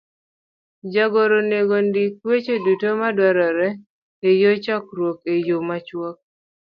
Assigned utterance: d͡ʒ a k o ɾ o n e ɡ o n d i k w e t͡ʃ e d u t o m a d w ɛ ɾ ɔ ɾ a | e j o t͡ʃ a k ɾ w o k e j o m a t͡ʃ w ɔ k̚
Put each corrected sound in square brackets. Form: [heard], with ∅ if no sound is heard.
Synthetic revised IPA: d͡ʒ a [ɡ] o ɾ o n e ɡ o n d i k w e t͡ʃ e d u t o m a d w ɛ ɾ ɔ ɾ [ɛ] | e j o t͡ʃ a k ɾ w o k e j o m a t͡ʃ w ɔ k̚